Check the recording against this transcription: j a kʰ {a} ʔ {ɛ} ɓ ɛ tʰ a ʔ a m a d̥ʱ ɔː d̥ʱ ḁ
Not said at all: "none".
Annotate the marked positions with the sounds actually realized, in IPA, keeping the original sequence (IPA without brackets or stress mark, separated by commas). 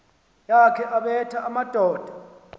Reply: ɛ, a